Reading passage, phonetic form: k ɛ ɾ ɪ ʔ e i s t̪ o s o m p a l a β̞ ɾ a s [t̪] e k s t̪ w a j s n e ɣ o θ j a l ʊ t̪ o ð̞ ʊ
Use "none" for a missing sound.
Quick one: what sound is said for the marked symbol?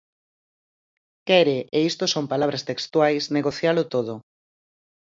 t̪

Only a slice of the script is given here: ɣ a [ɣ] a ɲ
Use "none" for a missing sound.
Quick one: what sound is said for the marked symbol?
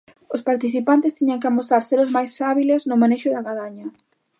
ð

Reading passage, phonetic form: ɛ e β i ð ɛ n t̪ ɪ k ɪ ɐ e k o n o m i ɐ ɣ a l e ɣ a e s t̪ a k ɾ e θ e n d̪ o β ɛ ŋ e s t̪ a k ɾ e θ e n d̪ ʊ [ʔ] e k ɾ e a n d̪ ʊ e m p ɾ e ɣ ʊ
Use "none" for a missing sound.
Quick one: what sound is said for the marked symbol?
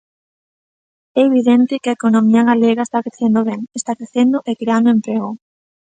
ʔ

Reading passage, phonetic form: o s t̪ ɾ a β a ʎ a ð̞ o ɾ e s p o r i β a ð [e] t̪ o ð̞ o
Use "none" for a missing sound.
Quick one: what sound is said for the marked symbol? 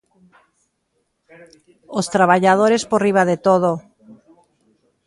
e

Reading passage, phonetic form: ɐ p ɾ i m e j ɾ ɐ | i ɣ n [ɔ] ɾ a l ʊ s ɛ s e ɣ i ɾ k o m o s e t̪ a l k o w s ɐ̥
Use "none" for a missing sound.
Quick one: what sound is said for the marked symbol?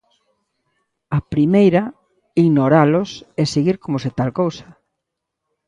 o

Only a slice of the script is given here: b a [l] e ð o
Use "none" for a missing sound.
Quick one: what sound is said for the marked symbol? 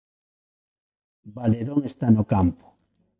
l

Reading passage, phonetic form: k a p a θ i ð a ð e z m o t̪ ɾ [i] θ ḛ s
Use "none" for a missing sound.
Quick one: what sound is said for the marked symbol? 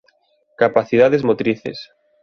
i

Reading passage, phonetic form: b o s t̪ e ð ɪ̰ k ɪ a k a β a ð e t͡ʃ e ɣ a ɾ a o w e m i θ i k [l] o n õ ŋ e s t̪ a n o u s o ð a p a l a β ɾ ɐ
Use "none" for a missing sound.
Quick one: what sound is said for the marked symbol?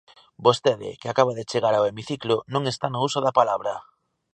l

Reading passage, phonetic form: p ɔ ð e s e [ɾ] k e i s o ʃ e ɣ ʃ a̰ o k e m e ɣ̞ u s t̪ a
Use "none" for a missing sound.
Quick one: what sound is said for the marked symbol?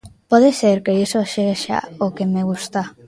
ɾ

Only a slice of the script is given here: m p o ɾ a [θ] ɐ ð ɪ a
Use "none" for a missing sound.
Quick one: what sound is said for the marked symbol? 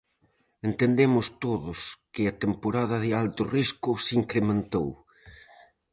ð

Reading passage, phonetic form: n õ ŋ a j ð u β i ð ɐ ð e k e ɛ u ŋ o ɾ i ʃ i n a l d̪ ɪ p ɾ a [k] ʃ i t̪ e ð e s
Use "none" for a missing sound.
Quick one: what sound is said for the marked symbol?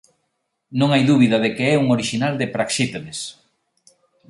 k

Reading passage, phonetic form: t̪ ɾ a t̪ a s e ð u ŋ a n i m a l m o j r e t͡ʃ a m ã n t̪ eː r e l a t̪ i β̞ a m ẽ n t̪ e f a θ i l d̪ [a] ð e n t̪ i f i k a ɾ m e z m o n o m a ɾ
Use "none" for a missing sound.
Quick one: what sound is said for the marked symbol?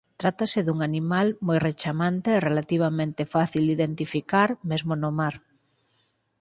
i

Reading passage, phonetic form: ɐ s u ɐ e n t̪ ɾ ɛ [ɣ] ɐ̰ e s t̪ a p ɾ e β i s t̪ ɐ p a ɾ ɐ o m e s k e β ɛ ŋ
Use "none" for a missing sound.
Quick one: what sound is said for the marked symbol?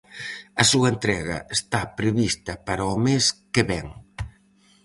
ɣ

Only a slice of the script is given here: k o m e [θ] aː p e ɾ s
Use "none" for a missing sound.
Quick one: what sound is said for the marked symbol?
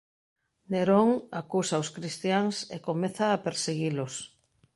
θ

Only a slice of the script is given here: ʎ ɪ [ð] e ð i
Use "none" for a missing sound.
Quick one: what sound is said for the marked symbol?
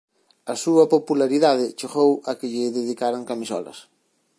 ð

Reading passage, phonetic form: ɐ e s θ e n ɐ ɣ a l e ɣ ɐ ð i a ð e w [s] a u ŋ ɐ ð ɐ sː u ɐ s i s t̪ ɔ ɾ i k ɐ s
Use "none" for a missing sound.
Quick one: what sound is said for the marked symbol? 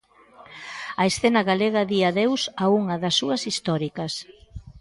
s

